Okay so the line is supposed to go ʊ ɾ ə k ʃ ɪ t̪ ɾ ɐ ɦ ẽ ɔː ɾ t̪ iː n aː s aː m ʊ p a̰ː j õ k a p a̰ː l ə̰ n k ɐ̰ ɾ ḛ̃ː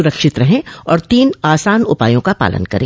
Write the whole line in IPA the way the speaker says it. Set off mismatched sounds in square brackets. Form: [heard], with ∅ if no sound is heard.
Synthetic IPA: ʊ ɾ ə k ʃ ɪ t̪ ɾ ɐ ɦ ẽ ɔː ɾ t̪ iː n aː s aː [n] ʊ p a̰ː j õ k a p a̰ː l ə̰ n k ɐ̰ ɾ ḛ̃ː